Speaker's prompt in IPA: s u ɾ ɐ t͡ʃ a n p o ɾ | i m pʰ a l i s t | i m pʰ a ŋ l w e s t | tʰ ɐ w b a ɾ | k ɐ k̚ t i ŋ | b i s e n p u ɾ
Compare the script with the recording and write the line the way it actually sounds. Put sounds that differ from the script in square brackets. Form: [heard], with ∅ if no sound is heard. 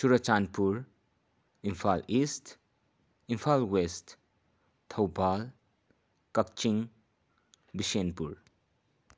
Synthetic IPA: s u ɾ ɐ t͡ʃ a n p [u] ɾ | i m pʰ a l i s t | i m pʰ a [∅] l w e s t | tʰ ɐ w b a [l] | k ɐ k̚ [t͡ʃ] i ŋ | b i s e n p u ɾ